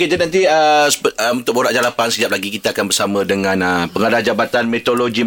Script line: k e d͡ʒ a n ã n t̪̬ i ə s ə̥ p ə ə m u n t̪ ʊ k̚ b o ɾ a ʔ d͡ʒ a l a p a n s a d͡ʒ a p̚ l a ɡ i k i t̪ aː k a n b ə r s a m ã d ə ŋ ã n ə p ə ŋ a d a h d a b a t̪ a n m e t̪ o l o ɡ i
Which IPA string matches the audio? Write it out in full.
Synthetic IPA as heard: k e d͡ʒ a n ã n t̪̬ i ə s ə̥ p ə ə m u n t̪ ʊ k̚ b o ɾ a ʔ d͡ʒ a l a p a n s ə d͡ʒ a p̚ l a ɡ i k i t̪ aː k a n b ə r s a m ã d ə ŋ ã n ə p ə ŋ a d a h d͡ʒ a b a t̪ a n m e t̪ o l o ɡ i